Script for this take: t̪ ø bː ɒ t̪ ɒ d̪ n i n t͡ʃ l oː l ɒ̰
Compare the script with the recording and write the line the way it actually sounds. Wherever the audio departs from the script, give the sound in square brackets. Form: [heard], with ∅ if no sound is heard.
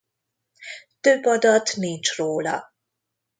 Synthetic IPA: t̪ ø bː ɒ [d̪] ɒ [t̪] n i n t͡ʃ [r] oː l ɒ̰